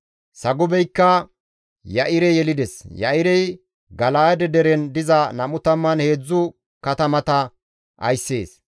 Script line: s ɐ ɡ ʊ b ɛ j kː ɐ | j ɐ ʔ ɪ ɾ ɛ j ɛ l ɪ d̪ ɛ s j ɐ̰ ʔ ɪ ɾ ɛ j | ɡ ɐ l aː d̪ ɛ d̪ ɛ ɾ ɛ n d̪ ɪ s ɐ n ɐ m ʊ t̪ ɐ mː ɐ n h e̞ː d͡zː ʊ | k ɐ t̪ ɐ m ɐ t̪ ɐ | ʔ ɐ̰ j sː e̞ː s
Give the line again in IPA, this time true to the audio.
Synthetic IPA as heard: s ɐ ɡ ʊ b ɛ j kː ɐ | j ɐ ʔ ɪ ɾ ɛ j ɛ l ɪ d̪ ɛ s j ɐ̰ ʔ ɪ ɾ ɛ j | ɡ ɐ l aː d̪ ɛ d̪ ɛ ɾ ɛ n d̪ ɪ z ɐ n ɐ m ʊ t̪ ɐ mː ɐ n h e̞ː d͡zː ʊ | k ɐ t̪ ɐ m ɐ t̪ ɐ | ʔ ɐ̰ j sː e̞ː s